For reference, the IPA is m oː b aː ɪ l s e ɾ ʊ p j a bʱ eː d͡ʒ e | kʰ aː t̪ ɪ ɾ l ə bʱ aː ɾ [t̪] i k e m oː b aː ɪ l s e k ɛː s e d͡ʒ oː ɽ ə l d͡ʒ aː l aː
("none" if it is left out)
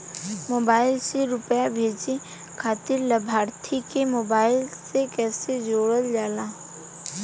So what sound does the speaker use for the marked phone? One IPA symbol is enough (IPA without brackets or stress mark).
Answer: t̪ʰ